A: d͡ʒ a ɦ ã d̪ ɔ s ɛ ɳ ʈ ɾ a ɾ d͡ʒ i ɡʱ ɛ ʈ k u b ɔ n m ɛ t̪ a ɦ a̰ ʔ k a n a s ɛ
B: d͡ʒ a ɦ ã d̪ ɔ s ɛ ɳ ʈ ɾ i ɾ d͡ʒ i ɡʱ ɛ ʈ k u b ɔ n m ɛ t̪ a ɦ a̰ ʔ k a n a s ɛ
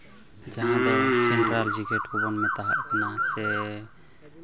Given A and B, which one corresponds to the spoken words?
A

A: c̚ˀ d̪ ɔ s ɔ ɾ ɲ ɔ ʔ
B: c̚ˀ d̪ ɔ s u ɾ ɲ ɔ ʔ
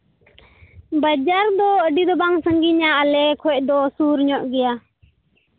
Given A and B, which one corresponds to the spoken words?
B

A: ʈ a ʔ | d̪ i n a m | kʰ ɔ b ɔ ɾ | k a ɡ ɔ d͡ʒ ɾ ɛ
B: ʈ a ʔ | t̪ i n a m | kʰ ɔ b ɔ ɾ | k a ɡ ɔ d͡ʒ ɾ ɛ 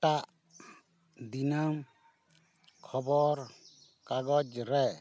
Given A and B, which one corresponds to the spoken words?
A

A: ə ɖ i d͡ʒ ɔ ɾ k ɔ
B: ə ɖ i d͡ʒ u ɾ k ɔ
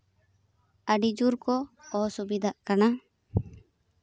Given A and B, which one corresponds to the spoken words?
B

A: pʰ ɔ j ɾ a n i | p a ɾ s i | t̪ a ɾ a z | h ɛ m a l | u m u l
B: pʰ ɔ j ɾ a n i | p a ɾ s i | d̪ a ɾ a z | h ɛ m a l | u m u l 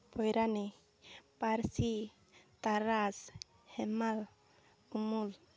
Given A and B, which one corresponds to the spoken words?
A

